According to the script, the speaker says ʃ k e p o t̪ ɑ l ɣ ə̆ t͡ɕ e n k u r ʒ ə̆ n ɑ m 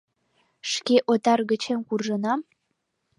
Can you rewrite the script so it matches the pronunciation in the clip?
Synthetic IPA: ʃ k e ʔ o t̪ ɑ r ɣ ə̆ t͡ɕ e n k u r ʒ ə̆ n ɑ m